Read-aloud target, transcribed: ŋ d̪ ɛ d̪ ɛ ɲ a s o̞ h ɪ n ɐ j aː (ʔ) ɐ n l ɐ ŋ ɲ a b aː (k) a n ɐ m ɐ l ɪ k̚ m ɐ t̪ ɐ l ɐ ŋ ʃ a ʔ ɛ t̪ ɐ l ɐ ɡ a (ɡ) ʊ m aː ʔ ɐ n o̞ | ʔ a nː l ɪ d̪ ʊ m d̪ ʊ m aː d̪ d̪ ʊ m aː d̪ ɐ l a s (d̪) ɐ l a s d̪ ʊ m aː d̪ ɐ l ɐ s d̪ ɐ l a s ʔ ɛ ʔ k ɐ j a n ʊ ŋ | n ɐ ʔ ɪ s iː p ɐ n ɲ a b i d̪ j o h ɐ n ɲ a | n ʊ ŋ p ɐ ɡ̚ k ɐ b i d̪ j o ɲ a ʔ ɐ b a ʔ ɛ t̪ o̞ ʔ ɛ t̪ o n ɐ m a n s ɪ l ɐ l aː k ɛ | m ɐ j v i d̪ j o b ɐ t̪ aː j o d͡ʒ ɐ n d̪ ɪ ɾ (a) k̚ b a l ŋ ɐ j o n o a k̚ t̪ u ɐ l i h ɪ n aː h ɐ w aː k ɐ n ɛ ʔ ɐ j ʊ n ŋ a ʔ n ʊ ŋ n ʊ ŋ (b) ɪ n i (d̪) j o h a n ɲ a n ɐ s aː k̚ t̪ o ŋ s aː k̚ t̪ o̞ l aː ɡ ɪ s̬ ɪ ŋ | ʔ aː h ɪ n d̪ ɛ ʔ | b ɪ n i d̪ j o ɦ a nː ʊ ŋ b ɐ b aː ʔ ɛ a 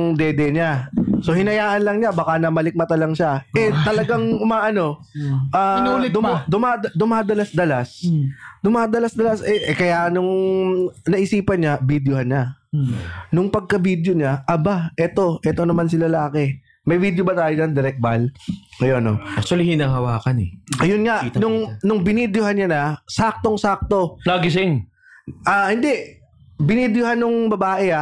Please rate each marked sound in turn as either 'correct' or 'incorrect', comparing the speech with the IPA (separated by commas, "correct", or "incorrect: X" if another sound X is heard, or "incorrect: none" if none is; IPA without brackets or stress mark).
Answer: correct, correct, incorrect: ŋ, correct, incorrect: ɛ, correct, correct